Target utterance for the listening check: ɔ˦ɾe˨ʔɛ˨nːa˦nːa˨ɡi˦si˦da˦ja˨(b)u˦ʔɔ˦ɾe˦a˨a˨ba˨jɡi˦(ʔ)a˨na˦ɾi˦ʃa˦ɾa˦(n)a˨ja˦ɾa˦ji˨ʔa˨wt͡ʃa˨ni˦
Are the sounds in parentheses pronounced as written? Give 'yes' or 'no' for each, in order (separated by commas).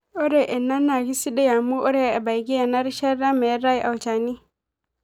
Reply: no, no, no